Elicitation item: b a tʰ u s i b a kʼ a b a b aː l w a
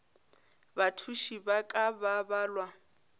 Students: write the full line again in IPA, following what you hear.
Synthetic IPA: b a tʰ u ʃ i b a kʼ a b a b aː l w a